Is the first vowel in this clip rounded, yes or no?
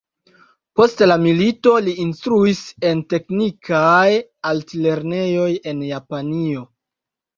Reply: yes